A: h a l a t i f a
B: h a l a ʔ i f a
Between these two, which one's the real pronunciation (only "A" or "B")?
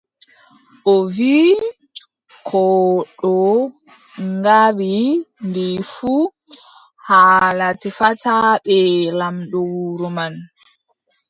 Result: A